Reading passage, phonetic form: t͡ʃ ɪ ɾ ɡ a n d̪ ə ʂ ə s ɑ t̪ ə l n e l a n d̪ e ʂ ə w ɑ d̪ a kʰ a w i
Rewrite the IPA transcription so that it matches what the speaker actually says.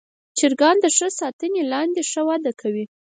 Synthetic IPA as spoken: t͡ʃ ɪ ɾ ɡ ɑ n d̪ ə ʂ ə s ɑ t̪ ə n e l ɑ n d̪ e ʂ ə w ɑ d̪ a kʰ a w i

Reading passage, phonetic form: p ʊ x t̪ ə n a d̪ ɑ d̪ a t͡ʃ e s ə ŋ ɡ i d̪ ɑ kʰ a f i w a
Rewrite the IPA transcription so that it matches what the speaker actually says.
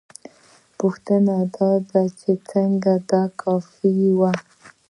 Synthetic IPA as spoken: p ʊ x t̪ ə n a d̪ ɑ d̪ a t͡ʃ e t͡s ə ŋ ɡ a d̪ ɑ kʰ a f i w a

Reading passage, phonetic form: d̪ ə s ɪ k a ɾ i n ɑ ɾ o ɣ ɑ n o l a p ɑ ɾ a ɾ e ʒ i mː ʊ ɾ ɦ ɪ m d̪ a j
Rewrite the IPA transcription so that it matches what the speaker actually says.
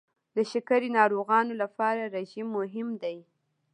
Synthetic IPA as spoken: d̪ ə ʃ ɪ k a ɾ i n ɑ ɾ o ɣ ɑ n o l a p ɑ ɾ a ɾ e ʒ i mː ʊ ɦ ɪ m d̪ a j

